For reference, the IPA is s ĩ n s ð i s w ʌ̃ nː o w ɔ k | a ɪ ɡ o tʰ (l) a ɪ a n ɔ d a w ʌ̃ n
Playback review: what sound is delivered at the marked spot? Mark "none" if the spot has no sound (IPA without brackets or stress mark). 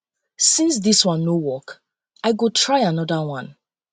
ɹ